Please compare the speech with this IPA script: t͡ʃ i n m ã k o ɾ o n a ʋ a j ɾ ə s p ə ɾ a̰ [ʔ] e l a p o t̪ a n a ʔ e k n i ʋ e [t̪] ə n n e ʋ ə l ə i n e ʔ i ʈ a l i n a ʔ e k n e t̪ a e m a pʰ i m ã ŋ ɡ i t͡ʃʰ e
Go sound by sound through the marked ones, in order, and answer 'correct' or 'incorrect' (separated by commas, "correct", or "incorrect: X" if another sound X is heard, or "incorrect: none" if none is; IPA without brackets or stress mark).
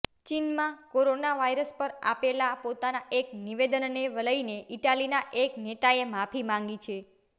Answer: incorrect: p, incorrect: d̪